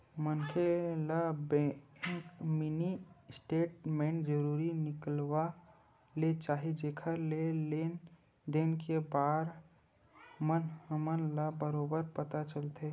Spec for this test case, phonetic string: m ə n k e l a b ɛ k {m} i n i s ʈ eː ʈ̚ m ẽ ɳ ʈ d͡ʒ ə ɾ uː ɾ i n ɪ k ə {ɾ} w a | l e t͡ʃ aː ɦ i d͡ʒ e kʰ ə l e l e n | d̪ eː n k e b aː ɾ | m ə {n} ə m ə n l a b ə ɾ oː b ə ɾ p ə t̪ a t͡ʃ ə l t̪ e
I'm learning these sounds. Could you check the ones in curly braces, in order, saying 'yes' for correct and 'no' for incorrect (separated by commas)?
yes, no, yes